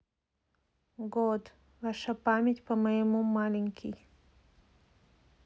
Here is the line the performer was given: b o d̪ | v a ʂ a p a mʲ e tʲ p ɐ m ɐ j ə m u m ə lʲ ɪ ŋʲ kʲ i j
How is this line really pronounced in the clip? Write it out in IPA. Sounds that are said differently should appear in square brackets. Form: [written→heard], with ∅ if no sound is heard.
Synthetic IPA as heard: [b→ɡ] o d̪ | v a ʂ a p a mʲ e tʲ p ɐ m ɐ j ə m u m [ə→a] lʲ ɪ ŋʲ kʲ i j

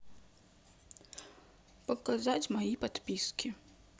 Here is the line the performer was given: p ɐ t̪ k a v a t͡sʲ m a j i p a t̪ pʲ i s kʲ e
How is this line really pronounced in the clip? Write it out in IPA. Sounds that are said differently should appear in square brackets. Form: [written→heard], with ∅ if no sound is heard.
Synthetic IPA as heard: p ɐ [t̪→∅] k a [v→z] a t͡sʲ m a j i p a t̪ pʲ i s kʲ [e→i]

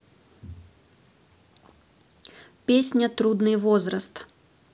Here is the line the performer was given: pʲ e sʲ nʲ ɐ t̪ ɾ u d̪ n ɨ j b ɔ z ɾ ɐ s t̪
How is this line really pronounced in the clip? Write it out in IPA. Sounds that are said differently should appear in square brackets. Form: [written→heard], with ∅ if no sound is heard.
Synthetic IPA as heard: pʲ e sʲ nʲ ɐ t̪ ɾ u d̪ n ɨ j [b→v] ɔ z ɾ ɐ s t̪

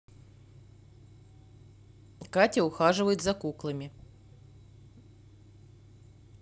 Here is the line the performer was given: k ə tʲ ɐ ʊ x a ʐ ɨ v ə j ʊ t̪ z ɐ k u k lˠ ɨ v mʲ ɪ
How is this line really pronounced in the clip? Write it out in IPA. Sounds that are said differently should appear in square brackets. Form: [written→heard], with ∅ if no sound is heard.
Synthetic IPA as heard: k [ə→a] tʲ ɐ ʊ x a ʐ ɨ v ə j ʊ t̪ z ɐ k u k lˠ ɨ [v→∅] mʲ ɪ

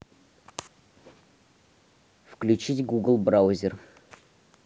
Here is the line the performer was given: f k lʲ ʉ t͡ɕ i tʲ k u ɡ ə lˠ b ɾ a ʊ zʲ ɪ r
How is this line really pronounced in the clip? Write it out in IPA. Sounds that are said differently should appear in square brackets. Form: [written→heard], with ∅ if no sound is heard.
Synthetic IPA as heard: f k lʲ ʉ t͡ɕ i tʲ [k→ɡ] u ɡ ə lˠ b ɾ a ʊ zʲ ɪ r

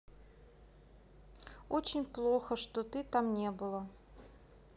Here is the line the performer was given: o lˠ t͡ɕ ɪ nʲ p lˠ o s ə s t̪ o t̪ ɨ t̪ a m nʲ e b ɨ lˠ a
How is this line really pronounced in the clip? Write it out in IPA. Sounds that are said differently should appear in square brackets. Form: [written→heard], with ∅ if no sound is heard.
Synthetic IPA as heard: o [lˠ→∅] t͡ɕ ɪ nʲ p lˠ o [s→x] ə [s→ʂ] t̪ o t̪ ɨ t̪ a m nʲ e b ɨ lˠ [a→ə]

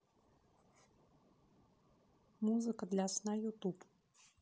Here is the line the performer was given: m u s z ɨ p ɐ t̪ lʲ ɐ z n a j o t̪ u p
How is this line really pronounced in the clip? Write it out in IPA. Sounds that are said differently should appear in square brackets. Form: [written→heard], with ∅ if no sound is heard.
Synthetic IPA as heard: m u [s→∅] z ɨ [p→k] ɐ [t̪→d̪] lʲ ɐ [z→s] n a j [o→u] t̪ u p

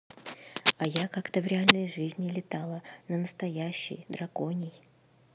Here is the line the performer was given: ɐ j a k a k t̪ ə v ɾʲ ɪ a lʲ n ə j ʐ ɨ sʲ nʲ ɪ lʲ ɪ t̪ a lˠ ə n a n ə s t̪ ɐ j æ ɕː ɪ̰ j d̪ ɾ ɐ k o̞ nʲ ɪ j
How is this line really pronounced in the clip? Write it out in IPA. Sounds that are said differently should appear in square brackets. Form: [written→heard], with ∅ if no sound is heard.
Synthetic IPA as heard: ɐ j a k a k t̪ ə v ɾʲ ɪ a lʲ n ə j ʐ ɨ [sʲ→zʲ] nʲ ɪ lʲ ɪ t̪ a lˠ ə n [a→ə] n ə s t̪ ɐ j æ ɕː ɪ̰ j d̪ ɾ ɐ k o̞ nʲ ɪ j

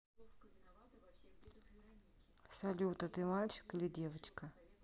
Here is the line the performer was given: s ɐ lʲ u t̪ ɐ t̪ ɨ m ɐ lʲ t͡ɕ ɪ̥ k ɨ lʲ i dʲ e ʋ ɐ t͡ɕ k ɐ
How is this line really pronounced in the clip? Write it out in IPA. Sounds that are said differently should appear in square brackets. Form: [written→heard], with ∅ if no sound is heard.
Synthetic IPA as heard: s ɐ lʲ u t̪ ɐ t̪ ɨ m [ɐ→a] lʲ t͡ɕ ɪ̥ k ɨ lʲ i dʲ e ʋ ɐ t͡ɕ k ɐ

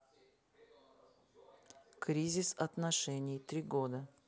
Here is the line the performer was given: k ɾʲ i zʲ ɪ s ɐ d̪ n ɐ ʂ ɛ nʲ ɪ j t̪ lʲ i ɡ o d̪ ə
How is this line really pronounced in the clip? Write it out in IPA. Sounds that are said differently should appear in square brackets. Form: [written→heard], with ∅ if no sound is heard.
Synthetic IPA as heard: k ɾʲ i zʲ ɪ s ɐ [d̪→t̪] n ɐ ʂ ɛ nʲ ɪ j t̪ [lʲ→ɾʲ] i ɡ o d̪ ə

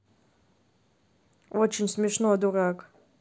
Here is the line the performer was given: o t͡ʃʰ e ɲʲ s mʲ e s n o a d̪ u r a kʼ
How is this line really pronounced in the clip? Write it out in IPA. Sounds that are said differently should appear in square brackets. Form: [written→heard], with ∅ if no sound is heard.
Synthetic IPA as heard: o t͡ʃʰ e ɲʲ s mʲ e [s→ʂ] n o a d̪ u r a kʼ

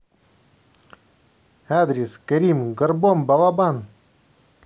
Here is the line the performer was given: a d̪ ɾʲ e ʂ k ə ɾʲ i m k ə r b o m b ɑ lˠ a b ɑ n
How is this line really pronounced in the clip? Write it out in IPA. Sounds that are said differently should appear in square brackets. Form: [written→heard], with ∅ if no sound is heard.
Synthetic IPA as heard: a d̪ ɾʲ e [ʂ→s] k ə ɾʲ i m [k→ɡ] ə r b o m b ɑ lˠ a b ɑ n

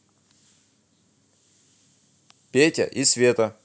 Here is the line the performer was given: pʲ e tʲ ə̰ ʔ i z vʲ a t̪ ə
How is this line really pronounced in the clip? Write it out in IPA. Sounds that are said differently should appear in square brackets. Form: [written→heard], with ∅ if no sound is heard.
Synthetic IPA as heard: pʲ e tʲ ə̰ ʔ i [z→s] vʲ [a→e] t̪ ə

